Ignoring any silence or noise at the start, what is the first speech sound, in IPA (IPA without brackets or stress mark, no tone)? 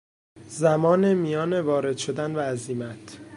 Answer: z